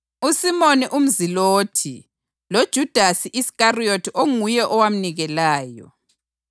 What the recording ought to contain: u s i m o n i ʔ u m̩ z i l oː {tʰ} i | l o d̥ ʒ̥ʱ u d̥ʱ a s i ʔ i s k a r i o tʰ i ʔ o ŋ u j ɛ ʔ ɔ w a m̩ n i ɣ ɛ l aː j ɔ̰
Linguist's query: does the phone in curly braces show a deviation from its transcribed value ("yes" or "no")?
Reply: no